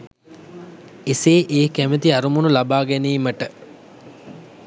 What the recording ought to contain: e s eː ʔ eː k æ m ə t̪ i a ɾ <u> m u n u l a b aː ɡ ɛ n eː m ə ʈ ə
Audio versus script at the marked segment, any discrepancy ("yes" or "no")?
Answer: no